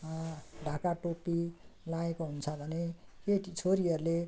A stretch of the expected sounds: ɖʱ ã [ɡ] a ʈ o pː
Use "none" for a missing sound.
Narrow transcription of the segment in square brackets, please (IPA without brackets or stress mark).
k